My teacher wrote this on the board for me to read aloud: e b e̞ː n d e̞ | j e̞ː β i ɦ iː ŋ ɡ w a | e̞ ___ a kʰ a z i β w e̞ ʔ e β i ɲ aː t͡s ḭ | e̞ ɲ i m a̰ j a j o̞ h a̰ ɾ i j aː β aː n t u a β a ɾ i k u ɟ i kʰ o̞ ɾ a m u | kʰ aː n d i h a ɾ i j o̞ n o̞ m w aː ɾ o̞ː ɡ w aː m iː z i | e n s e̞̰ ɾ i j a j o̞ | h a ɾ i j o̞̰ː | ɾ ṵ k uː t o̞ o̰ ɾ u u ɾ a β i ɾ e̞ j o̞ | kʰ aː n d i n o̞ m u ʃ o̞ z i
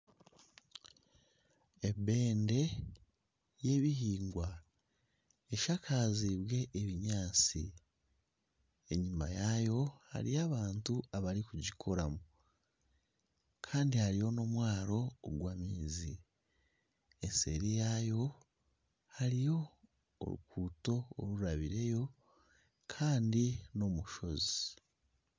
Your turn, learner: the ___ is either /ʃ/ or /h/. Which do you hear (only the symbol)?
ʃ